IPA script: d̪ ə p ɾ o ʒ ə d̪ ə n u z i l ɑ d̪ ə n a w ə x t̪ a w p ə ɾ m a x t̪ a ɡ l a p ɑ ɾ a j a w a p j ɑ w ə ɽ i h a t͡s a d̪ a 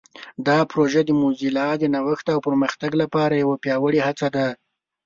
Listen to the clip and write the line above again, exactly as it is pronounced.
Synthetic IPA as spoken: d̪ ɑ p ɾ o ʒ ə d̪ ə m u z i l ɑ d̪ ə n a w ə x t̪ a w p ə ɾ m ə x t̪ a ɡ l a p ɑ ɾ a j a w a p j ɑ w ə ɽ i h a t͡s a d̪ a